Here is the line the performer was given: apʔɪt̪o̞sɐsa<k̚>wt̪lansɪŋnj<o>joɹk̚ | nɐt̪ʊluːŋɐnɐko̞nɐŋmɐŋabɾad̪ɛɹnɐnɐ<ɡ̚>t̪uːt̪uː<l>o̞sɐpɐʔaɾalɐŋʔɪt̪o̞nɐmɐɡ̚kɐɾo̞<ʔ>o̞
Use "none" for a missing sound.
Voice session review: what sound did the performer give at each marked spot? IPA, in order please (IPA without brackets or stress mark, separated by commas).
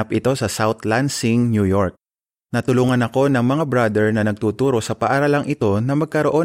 none, u, ɡ̚, ɾ, ʔ